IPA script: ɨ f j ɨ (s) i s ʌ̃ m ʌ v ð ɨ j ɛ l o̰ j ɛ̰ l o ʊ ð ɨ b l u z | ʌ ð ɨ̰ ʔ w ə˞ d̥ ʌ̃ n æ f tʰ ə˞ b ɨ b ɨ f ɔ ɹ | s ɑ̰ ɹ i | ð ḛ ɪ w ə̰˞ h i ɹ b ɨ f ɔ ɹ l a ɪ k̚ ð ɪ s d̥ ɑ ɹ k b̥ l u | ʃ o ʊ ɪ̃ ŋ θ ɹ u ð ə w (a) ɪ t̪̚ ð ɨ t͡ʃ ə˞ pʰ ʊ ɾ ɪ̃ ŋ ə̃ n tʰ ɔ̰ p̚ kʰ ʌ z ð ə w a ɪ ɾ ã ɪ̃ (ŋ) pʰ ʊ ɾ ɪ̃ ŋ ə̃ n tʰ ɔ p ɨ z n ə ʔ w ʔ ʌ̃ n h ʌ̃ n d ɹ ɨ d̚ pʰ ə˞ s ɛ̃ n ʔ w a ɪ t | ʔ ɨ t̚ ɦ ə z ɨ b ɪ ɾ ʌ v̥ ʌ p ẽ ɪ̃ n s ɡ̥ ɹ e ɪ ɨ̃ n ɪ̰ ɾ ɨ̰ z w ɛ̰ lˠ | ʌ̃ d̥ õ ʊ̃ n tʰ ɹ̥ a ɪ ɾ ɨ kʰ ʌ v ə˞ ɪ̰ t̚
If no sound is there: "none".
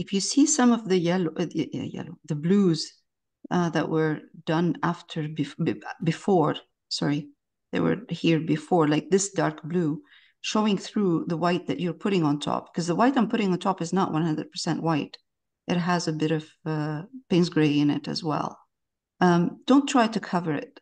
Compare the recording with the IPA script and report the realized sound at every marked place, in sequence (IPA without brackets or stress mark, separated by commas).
s, a, m